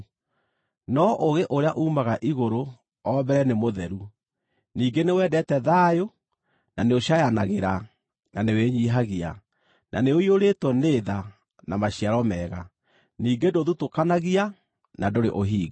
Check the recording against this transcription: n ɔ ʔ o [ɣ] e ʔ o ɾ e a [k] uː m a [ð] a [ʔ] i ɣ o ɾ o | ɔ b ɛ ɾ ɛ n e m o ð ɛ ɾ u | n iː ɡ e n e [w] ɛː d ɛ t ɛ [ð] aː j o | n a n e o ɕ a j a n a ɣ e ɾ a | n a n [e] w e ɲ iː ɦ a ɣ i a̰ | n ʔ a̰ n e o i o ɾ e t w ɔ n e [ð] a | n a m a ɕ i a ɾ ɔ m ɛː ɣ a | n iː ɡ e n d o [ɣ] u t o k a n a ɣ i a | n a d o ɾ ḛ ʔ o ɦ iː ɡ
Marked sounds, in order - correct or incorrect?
correct, incorrect, incorrect, correct, correct, correct, correct, correct, incorrect

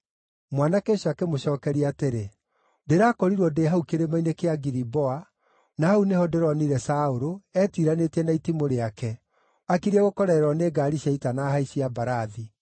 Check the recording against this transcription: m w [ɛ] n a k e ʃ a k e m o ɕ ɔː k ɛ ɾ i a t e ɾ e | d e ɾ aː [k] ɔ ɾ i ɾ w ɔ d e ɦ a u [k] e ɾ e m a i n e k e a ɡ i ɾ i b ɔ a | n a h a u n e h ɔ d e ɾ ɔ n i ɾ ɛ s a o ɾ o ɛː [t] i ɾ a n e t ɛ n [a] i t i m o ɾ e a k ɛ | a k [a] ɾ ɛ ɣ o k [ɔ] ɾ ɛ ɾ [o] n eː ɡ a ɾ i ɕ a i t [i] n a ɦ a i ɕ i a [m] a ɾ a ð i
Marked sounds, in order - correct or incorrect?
incorrect, correct, correct, correct, correct, incorrect, correct, incorrect, incorrect, incorrect

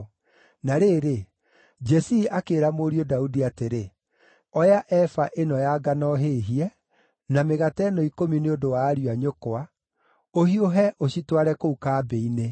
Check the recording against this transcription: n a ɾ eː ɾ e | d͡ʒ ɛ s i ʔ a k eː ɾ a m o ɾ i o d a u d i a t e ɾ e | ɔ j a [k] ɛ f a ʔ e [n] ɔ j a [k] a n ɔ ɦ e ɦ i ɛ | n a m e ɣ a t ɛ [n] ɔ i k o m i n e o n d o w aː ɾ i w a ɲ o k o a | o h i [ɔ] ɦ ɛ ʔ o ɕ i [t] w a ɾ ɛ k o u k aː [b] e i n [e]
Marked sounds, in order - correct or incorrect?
incorrect, correct, incorrect, correct, incorrect, correct, correct, correct

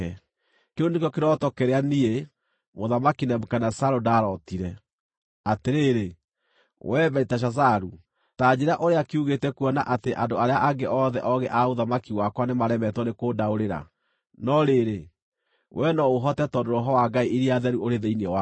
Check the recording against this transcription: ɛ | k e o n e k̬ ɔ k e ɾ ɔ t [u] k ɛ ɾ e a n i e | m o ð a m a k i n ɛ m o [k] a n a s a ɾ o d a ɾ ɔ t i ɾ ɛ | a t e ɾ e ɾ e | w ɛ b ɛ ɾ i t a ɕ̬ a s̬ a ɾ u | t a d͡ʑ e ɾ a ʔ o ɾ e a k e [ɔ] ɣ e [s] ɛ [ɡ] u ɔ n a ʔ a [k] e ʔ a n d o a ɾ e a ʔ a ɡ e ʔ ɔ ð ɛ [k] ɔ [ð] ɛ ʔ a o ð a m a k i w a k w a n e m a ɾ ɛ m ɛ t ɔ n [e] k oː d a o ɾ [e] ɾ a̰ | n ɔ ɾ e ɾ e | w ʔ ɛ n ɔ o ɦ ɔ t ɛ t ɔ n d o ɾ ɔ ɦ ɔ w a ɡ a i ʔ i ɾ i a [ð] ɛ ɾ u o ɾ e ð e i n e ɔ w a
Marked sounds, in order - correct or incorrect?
incorrect, correct, incorrect, incorrect, incorrect, incorrect, incorrect, incorrect, correct, correct, correct

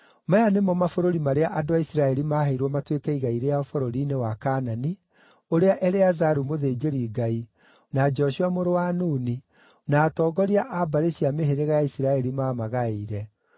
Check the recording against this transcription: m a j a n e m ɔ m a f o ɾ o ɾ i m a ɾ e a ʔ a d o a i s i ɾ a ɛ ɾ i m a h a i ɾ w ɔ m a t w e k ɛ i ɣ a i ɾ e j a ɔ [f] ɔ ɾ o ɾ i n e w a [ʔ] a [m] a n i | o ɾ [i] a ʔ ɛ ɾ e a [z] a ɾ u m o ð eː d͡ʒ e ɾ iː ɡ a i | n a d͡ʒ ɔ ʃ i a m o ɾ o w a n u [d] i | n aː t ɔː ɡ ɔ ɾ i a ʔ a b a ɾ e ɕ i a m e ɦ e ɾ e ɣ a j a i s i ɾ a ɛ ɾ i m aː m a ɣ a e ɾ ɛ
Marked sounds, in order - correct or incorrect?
correct, incorrect, incorrect, incorrect, correct, incorrect

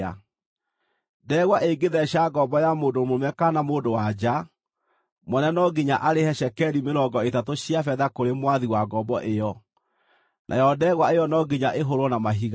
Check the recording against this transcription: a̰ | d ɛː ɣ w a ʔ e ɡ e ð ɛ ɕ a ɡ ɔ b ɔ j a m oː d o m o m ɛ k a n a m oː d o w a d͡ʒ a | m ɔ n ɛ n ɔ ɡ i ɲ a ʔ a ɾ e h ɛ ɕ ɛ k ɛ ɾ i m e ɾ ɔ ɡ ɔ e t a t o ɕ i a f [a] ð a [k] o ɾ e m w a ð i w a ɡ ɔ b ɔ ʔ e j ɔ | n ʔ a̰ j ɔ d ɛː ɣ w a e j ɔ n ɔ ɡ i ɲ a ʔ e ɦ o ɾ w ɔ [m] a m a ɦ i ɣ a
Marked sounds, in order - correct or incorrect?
incorrect, correct, incorrect

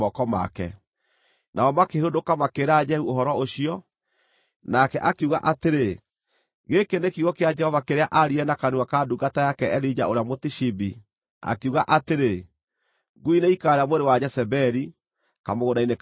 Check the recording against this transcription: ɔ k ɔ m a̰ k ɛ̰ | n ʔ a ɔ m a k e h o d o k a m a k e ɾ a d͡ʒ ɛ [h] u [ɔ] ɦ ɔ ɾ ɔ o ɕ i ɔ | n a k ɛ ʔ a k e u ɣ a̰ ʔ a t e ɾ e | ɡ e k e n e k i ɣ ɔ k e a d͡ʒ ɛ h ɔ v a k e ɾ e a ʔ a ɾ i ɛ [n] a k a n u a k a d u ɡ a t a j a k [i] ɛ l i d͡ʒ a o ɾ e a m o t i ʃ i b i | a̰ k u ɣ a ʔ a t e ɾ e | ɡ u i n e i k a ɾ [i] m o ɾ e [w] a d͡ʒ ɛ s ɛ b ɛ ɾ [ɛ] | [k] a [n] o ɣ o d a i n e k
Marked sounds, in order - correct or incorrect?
correct, incorrect, correct, incorrect, incorrect, correct, incorrect, correct, incorrect

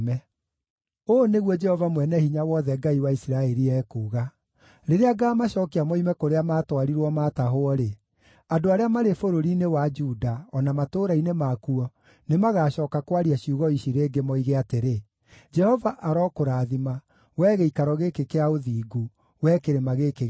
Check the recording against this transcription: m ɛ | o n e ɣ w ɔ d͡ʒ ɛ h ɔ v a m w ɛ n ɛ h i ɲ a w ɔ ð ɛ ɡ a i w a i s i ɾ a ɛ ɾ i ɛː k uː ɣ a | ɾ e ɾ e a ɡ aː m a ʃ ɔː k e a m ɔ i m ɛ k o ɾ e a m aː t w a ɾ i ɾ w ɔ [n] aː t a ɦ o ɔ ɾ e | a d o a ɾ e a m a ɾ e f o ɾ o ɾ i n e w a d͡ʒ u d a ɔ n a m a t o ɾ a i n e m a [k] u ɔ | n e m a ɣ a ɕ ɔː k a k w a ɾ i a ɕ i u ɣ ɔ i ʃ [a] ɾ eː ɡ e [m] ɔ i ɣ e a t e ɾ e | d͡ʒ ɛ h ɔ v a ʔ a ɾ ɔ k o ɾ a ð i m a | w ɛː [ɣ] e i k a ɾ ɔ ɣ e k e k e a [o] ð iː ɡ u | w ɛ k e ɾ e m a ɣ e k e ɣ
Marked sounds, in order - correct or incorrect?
incorrect, correct, incorrect, correct, correct, correct

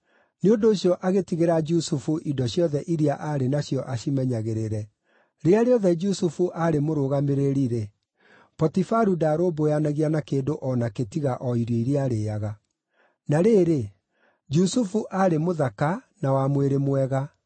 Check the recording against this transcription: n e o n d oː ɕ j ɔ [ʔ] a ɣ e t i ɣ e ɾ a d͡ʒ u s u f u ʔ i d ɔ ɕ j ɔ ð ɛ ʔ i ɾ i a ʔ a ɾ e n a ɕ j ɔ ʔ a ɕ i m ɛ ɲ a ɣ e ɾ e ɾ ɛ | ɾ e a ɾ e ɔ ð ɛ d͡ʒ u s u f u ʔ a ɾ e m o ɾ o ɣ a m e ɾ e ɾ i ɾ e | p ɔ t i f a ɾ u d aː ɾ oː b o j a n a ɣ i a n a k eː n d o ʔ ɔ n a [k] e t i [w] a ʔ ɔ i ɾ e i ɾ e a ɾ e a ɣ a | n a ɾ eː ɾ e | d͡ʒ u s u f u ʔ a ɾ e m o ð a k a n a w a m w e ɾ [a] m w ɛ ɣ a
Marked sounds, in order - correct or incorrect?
correct, correct, incorrect, incorrect

